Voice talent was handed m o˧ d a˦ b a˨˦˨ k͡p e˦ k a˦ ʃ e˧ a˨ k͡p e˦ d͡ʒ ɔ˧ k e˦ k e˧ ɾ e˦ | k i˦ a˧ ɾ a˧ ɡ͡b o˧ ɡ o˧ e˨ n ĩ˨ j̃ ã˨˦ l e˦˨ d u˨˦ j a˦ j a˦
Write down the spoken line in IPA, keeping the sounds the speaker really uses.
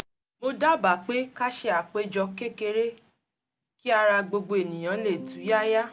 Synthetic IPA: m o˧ d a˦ b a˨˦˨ k͡p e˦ k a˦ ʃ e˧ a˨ k͡p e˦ d͡ʒ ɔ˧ k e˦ k e˧ ɾ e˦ | k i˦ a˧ ɾ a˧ ɡ͡b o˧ ɡ͡b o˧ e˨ n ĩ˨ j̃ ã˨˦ l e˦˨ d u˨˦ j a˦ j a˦